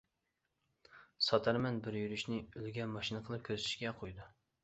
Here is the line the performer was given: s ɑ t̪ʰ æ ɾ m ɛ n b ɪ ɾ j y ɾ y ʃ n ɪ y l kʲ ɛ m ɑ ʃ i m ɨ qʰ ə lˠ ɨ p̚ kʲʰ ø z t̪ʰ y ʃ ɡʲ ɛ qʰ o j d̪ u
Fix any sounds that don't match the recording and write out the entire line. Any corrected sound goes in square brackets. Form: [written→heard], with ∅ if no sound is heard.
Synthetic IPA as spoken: s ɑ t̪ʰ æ ɾ m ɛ n b ɪ ɾ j y ɾ y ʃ n ɪ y l [kʲ→ɡʲ] ɛ m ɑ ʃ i [m→n] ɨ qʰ ə lˠ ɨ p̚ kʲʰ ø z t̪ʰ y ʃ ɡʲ ɛ qʰ o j d̪ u

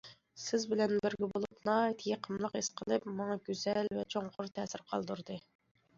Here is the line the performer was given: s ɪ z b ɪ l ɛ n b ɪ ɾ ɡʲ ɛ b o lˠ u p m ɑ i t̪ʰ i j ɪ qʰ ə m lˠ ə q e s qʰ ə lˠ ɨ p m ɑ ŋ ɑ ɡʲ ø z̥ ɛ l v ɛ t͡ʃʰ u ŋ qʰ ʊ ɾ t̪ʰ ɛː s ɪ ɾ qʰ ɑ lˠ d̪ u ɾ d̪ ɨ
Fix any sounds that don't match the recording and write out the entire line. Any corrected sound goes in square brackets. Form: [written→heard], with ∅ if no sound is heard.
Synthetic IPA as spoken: s ɪ z b ɪ l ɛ n b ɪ ɾ ɡʲ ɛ b o lˠ u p [m→n] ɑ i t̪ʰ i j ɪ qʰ ə m lˠ ə q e s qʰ ə lˠ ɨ p m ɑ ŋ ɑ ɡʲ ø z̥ ɛ l v ɛ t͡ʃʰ [u→o] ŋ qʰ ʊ ɾ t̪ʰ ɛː s ɪ ɾ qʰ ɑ lˠ d̪ u ɾ d̪ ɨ

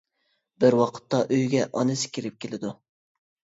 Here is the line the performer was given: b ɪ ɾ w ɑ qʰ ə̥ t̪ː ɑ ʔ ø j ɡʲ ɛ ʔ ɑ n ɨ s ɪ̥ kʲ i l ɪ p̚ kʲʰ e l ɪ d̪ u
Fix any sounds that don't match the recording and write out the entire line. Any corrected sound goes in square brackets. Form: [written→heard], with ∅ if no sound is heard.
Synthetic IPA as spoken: b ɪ ɾ w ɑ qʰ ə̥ t̪ː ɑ ʔ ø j ɡʲ ɛ ʔ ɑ n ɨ s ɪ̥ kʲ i [l→ɾ] ɪ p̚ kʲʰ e l ɪ d̪ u

